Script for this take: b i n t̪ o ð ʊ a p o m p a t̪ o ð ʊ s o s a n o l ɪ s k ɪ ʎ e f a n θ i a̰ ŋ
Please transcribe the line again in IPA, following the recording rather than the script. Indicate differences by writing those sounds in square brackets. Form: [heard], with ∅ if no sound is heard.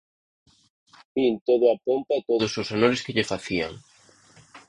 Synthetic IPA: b i n t̪ o ð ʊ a p o m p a t̪ o ð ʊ s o s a n o [ɾ] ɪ s k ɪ ʎ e f a [∅] θ i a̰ ŋ